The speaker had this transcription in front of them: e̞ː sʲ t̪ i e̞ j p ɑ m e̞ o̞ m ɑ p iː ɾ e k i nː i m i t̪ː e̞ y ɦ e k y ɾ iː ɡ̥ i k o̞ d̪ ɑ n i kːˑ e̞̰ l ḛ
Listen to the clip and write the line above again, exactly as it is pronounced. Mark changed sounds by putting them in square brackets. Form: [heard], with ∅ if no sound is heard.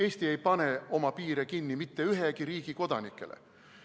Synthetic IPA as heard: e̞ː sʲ t̪ i e̞ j p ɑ [n] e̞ o̞ m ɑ p iː ɾ e k i nː i m i t̪ː e̞ y ɦ e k [i] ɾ iː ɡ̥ i k o̞ d̪ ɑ n i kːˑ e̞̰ l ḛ